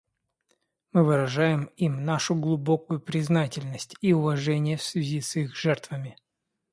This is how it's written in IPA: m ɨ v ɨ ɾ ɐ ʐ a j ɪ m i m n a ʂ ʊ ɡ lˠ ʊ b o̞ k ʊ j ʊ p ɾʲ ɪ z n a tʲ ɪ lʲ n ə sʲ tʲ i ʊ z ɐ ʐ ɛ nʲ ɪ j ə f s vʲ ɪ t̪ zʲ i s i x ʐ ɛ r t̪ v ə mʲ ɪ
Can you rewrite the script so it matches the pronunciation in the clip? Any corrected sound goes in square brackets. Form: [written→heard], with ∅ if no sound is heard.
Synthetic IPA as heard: m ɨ v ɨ ɾ ɐ ʐ a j ɪ m i m n a ʂ ʊ ɡ lˠ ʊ b o̞ k ʊ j ʊ p ɾʲ ɪ z n a tʲ ɪ lʲ n ə sʲ tʲ i ʊ [z→v] ɐ ʐ ɛ nʲ ɪ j ə f s vʲ ɪ [t̪→∅] zʲ i s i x ʐ ɛ r t̪ v ə mʲ ɪ